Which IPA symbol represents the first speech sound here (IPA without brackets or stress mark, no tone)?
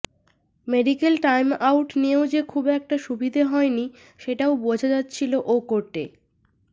m